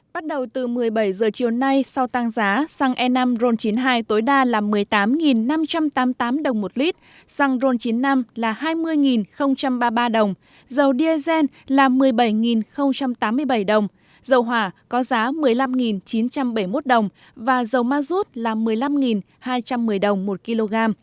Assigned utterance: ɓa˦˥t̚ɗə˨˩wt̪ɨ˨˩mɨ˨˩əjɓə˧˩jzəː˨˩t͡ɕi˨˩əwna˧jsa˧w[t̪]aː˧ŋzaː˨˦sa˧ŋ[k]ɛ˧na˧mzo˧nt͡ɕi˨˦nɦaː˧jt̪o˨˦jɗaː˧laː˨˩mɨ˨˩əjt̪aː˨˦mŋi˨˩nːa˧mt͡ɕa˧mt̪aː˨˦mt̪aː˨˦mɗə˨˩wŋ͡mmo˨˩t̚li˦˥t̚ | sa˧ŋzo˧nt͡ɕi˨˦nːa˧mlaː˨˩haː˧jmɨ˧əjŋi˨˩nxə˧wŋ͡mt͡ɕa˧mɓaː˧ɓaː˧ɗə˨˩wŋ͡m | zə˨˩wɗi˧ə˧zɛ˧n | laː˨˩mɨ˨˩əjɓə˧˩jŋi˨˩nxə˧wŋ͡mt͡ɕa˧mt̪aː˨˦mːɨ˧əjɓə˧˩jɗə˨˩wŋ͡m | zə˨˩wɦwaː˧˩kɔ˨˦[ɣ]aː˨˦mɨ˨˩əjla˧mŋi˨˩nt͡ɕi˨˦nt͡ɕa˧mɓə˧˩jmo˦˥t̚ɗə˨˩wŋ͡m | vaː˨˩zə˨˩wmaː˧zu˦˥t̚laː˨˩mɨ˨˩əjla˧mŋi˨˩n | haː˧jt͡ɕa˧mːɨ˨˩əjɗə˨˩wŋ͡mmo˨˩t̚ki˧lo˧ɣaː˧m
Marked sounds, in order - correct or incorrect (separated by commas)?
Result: correct, incorrect, incorrect